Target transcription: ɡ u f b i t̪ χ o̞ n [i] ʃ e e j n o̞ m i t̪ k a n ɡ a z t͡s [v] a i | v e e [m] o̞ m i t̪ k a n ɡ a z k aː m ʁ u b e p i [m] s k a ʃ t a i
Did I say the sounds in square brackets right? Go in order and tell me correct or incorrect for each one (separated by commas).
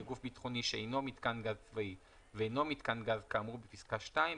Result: correct, correct, incorrect, incorrect